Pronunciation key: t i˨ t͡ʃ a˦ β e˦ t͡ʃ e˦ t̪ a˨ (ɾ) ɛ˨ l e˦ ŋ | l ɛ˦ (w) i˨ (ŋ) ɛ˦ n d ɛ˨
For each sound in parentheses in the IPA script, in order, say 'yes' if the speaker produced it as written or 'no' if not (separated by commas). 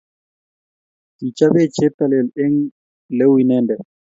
no, yes, no